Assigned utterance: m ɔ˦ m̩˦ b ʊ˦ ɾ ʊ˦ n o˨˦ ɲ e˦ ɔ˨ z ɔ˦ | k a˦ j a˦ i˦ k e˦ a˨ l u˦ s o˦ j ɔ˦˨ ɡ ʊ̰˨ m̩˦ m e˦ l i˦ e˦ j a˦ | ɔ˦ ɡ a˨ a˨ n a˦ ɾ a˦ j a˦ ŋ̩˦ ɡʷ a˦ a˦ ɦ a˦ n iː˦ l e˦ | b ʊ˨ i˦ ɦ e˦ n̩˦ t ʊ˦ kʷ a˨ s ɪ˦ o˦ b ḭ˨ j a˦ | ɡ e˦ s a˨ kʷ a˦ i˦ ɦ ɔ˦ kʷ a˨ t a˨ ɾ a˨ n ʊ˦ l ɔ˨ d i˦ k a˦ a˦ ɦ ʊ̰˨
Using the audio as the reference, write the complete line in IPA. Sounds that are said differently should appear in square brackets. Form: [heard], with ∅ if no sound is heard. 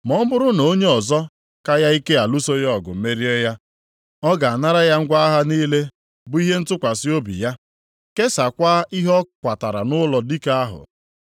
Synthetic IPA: m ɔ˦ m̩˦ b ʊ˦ ɾ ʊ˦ n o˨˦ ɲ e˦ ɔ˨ z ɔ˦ | k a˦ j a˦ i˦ k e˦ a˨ l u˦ s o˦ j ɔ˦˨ ɡ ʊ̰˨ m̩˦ m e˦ [ɾ] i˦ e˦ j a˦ | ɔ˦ ɡ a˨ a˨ n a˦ ɾ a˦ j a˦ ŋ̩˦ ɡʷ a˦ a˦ ɦ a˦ n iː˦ l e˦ | b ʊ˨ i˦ ɦ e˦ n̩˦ t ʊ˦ kʷ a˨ s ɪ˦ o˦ b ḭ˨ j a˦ | [k] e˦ s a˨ kʷ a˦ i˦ ɦ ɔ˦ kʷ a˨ t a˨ ɾ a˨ n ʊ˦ l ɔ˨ d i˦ k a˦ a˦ ɦ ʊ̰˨

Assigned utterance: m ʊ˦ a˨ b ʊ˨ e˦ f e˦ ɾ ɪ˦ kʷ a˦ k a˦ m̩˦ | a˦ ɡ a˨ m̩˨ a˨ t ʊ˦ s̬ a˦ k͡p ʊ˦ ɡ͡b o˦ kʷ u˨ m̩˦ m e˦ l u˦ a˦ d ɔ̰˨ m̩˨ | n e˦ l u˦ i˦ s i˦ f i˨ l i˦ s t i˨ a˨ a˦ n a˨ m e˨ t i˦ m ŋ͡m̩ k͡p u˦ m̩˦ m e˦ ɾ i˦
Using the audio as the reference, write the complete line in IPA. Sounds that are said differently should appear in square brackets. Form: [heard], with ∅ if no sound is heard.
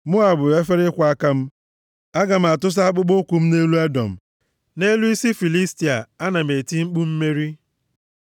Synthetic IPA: m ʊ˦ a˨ b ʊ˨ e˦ f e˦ ɾ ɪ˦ kʷ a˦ k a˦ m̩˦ | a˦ ɡ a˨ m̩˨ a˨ t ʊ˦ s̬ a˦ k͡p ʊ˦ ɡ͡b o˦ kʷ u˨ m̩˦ [n] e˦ l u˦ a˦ d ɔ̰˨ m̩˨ | n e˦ l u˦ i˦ s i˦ f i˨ l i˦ s t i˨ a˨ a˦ n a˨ m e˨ t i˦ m ŋ͡m̩ k͡p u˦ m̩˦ m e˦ ɾ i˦

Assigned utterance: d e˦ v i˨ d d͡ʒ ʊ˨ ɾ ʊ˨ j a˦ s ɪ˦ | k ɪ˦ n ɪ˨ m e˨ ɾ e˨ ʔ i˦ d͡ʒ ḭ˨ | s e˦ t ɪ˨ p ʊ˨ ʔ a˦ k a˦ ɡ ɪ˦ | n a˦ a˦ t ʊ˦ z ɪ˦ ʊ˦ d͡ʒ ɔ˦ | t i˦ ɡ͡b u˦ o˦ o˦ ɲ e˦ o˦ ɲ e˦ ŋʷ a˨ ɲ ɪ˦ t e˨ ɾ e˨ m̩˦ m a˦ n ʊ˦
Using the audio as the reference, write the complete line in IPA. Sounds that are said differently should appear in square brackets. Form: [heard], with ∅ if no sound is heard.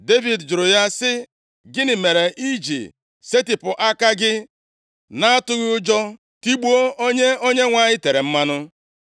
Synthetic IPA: d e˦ v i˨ d d͡ʒ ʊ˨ ɾ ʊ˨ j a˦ s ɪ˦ | [ɡ] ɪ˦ n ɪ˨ m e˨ ɾ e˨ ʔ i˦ d͡ʒ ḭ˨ | s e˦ t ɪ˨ p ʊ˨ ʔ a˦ k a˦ ɡ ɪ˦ | n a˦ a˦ t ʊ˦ [ɣ] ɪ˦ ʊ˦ d͡ʒ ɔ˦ | t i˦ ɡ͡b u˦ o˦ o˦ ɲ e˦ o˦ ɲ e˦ ŋʷ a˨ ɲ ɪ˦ t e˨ ɾ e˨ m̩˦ m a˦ n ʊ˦

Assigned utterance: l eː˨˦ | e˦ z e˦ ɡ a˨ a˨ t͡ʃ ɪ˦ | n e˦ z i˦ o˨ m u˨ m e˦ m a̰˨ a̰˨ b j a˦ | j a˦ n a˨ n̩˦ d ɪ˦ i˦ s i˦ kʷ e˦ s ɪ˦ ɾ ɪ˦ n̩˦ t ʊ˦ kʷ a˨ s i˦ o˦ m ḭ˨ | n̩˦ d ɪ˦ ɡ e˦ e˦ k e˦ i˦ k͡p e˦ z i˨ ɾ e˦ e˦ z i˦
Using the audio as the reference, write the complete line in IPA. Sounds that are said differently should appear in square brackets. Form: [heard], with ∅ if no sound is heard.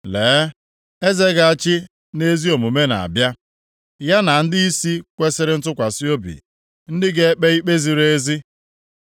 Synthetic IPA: l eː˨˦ | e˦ z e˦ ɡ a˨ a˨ t͡ʃ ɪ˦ | n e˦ z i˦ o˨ m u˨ m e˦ [n] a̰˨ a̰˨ b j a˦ | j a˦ n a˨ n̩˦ d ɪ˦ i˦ s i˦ kʷ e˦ s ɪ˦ ɾ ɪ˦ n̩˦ t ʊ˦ kʷ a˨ s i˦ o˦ [b] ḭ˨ | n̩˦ d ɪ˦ ɡ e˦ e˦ [k͡p] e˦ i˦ k͡p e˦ z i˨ ɾ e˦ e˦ z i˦

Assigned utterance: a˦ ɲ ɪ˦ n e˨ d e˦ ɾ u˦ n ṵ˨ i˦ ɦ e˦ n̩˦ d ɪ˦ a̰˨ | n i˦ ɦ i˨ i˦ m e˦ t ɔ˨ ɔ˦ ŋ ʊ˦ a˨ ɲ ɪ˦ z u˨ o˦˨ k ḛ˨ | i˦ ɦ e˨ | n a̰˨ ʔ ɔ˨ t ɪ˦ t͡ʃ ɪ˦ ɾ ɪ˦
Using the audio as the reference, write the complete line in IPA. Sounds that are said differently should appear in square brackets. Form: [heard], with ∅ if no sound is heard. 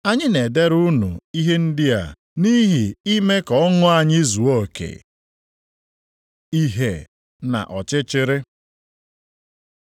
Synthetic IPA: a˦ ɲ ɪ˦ n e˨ d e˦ ɾ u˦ n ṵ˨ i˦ ɦ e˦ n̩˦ d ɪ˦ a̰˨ | n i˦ ɦ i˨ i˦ m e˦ [k] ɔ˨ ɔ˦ ŋ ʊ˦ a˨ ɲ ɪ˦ z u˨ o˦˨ k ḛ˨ | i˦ ɦ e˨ | n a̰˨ ʔ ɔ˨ [t͡ʃ] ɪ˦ t͡ʃ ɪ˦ ɾ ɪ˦

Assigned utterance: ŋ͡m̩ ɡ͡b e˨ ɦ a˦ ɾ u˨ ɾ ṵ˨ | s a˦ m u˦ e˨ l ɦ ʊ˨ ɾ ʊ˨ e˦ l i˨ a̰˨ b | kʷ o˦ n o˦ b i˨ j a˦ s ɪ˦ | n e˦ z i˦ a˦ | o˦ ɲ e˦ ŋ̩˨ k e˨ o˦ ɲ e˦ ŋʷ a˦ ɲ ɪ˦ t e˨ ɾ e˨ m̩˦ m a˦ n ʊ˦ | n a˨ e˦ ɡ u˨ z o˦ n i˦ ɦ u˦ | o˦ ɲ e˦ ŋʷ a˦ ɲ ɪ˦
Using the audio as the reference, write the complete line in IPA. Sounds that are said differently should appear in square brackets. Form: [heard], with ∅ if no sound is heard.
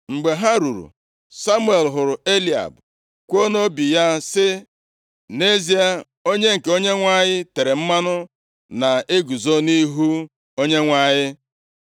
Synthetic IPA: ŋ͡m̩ ɡ͡b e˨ ɦ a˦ ɾ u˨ ɾ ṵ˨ | s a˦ m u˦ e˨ l ɦ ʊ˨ ɾ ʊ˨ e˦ l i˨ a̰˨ b | kʷ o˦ n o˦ b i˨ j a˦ s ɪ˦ | n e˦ z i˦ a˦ | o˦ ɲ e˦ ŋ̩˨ k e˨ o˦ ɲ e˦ ŋʷ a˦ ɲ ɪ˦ t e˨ ɾ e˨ m̩˦ m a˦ n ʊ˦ | n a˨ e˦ ɡ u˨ z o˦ n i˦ ɦ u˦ | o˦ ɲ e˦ ŋʷ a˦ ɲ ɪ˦

